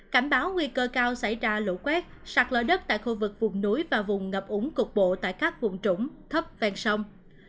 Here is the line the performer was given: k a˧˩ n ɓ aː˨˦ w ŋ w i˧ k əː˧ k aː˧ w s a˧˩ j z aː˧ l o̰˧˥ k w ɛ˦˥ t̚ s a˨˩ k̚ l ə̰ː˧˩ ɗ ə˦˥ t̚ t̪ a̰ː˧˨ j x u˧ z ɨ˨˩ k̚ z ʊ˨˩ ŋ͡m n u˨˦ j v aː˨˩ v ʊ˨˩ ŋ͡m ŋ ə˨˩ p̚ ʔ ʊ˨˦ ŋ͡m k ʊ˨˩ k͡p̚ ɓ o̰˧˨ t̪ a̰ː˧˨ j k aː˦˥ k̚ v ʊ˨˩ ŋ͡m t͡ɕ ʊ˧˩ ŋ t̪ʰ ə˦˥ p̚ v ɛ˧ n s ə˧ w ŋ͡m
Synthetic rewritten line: k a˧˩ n ɓ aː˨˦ w ŋ w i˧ k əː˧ k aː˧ w s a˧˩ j z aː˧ l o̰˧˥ k w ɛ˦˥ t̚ s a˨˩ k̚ l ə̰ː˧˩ ɗ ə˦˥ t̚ t̪ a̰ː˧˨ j x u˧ v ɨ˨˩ k̚ v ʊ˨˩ ŋ͡m n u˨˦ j v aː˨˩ v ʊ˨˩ ŋ͡m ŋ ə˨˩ p̚ ʔ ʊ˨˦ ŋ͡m k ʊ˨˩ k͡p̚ ɓ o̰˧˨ t̪ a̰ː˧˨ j k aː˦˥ k̚ v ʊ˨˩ ŋ͡m t͡ɕ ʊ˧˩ ŋ͡m t̪ʰ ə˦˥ p̚ v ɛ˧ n s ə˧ w ŋ͡m